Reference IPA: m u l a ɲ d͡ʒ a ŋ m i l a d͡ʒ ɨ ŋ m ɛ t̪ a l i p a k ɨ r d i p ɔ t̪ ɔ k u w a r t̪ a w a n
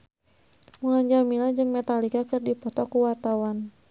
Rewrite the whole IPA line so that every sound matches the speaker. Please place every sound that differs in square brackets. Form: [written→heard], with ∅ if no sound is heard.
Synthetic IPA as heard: m u l a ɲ d͡ʒ a [ŋ→∅] m i l a d͡ʒ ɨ ŋ m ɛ t̪ a l i [p→k] a k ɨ r d i p ɔ t̪ ɔ k u w a r t̪ a w a n